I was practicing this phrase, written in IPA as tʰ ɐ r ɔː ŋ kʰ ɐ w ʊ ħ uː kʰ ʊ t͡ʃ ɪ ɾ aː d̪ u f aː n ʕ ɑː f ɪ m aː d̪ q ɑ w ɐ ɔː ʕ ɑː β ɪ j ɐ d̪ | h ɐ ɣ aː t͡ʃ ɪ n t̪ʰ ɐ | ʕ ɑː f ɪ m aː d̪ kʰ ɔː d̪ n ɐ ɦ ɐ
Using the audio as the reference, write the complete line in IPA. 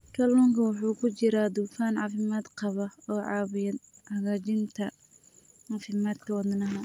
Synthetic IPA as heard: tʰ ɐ l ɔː ŋ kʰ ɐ w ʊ ħ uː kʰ ʊ t͡ʃ ɪ ɾ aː d̪ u f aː n ʕ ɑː f ɪ m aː d̪ q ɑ β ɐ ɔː ʕ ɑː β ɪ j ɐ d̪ | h ɐ ɣ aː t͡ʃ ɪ n t̪ʰ ɐ | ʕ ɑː f ɪ m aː d̪ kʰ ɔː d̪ n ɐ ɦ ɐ